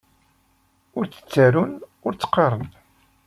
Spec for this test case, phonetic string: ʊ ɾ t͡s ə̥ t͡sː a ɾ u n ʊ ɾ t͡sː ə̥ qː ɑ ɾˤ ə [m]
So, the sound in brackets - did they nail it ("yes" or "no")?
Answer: no